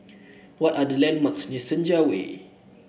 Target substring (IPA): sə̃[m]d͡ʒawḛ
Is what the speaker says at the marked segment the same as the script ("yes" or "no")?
no